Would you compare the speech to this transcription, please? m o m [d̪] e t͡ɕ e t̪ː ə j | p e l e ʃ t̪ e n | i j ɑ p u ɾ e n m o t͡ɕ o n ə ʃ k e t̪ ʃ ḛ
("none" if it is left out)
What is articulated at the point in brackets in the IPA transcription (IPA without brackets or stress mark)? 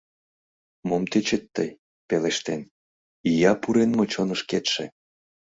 t̪